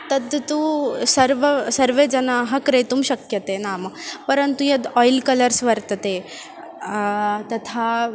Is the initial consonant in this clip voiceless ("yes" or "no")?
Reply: yes